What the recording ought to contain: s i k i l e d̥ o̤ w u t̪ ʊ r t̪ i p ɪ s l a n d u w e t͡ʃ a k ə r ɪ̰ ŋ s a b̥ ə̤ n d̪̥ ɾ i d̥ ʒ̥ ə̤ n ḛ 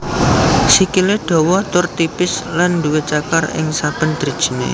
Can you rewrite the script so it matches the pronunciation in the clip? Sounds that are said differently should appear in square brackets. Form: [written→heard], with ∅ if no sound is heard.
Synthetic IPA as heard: s i k i l e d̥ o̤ w [u→ɔ] t̪ ʊ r t̪ i p ɪ s l a n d u w e t͡ʃ a k [ə→a] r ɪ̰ ŋ s a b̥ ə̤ n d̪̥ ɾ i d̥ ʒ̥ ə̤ n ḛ